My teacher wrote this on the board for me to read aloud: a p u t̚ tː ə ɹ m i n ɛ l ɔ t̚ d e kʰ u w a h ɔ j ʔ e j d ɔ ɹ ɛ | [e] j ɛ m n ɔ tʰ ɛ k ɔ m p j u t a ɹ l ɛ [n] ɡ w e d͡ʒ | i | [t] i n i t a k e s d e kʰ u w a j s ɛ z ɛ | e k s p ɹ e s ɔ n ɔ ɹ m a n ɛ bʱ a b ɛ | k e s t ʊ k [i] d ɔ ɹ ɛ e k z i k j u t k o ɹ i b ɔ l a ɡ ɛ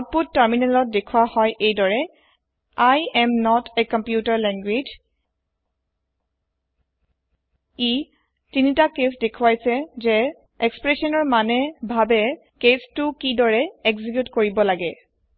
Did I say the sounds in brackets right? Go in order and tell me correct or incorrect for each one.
incorrect: a, incorrect: ŋ, correct, correct

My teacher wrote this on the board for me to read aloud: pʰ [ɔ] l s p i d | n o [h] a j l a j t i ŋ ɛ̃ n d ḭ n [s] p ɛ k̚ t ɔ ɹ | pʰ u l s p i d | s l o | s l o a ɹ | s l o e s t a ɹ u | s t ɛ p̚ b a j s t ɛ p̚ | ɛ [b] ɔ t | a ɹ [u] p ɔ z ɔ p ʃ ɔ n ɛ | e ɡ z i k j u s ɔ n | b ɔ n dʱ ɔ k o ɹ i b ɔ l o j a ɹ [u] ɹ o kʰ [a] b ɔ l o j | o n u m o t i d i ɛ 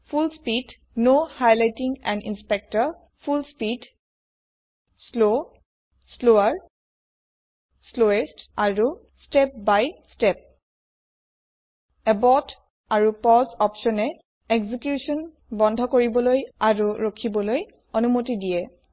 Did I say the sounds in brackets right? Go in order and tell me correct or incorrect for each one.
incorrect: u, correct, correct, correct, correct, correct, incorrect: i

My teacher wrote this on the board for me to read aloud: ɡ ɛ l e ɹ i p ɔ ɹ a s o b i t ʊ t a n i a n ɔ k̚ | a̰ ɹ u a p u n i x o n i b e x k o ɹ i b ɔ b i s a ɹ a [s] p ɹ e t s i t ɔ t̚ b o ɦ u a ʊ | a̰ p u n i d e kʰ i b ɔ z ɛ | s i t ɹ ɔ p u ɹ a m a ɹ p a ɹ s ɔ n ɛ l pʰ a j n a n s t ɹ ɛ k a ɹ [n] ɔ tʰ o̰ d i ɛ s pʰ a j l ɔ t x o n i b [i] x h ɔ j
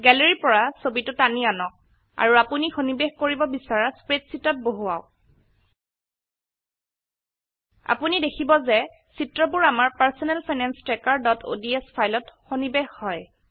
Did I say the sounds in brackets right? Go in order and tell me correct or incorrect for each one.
correct, incorrect: d, incorrect: e

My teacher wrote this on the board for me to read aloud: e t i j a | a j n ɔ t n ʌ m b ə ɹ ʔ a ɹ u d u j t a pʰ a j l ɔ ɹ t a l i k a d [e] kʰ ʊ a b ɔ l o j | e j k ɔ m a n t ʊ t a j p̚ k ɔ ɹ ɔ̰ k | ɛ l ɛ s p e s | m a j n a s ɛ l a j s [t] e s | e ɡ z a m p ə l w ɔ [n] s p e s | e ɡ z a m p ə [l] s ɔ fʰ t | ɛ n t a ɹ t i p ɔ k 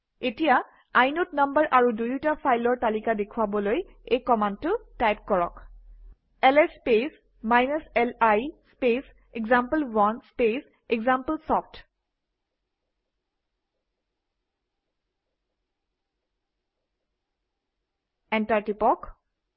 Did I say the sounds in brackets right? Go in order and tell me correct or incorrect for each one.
correct, incorrect: p, correct, correct

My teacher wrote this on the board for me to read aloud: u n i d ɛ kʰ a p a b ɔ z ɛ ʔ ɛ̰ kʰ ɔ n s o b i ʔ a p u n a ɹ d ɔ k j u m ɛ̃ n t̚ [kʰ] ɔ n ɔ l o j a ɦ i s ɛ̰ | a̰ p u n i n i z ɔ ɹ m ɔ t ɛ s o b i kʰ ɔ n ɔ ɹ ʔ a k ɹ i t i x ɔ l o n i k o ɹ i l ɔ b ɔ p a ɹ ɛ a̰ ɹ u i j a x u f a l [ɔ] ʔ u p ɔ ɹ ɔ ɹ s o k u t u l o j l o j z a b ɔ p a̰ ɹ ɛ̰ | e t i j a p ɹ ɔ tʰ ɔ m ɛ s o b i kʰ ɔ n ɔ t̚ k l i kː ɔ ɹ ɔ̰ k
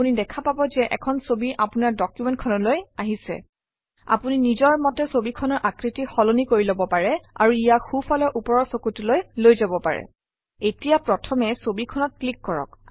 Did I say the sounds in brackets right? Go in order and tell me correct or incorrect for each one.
correct, correct

